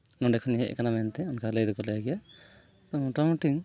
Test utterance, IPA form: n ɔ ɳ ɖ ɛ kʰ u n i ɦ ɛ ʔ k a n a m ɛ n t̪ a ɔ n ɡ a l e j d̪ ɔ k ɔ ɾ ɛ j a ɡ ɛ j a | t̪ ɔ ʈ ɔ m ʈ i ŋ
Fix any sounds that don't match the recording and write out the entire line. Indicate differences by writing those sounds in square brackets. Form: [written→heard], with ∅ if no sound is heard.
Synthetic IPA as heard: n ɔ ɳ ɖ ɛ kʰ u n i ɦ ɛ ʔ k a n a m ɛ n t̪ [a→ɛ] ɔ n [ɡ→k] a l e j d̪ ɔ k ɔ [ɾ→l] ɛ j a ɡ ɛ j a | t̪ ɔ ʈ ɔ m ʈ i ŋ